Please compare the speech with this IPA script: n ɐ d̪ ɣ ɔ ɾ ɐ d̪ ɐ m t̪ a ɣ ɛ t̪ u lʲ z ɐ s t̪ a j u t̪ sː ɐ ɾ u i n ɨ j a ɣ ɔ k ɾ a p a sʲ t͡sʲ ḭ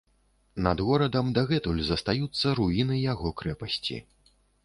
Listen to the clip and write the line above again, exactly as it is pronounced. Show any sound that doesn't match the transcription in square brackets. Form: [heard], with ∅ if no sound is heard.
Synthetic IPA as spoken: n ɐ d̪ ɣ ɔ ɾ ɐ d̪ ɐ m [d̪] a ɣ ɛ t̪ u lʲ z ɐ s t̪ a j u t̪ sː ɐ ɾ u i n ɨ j a ɣ ɔ k ɾ [ɛ] p [ɐ] sʲ t͡sʲ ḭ